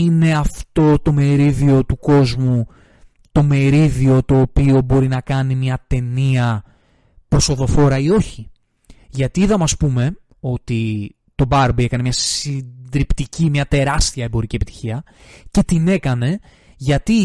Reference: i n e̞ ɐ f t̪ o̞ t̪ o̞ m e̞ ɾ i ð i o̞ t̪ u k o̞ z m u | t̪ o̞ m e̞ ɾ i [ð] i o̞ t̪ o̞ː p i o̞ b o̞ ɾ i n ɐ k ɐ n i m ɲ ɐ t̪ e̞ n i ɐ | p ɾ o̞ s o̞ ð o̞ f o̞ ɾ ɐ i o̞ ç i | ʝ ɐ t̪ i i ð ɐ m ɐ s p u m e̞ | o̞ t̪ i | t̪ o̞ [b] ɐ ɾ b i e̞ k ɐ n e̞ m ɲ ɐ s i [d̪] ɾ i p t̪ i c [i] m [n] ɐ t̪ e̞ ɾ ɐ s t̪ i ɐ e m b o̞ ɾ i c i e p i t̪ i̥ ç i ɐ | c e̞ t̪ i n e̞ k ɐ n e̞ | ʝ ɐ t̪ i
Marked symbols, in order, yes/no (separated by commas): yes, yes, yes, yes, no